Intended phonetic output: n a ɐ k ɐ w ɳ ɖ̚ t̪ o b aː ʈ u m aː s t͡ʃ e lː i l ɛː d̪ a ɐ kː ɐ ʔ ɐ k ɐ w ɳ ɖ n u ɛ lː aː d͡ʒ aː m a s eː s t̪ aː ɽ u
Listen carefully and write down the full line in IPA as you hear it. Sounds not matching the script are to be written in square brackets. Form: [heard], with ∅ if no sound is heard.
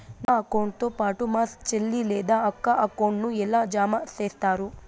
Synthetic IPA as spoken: n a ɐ k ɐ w ɳ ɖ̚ t̪ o [p] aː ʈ u m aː s t͡ʃ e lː i l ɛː d̪ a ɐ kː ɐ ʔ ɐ k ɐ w ɳ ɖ n u ɛ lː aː d͡ʒ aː m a s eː s t̪ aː [ɾ] u